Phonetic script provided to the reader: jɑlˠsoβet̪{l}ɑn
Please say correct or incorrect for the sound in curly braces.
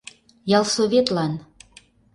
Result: correct